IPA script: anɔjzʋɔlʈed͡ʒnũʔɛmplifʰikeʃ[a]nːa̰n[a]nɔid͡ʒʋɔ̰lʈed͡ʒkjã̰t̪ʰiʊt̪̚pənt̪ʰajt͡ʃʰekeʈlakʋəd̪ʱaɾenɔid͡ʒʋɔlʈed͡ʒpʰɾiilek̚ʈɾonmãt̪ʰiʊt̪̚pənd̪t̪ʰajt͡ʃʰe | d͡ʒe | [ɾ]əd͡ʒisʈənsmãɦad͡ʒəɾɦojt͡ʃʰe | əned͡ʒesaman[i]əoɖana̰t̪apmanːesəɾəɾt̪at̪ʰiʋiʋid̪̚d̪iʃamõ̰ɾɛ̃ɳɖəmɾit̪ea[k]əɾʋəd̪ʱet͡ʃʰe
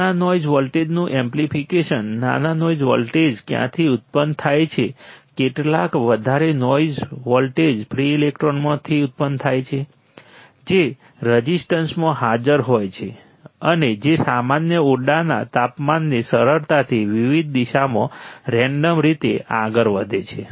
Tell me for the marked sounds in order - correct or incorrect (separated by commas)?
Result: incorrect, correct, correct, incorrect, incorrect